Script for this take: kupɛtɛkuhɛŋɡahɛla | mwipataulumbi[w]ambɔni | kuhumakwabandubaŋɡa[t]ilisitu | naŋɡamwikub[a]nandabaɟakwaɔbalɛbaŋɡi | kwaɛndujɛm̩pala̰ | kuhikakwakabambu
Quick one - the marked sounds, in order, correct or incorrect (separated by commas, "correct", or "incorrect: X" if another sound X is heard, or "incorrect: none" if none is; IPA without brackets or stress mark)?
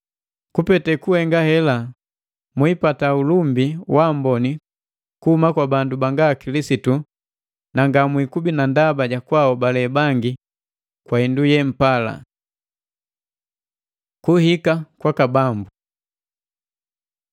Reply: correct, incorrect: k, incorrect: i